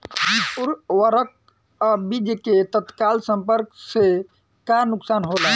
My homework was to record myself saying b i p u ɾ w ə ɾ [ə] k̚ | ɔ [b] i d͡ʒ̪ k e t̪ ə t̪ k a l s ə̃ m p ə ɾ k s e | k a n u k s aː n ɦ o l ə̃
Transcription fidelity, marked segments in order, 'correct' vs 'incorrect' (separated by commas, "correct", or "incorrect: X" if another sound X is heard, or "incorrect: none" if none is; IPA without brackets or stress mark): correct, correct